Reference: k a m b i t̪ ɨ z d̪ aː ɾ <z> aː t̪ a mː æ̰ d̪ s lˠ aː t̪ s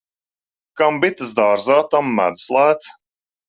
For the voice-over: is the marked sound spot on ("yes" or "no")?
yes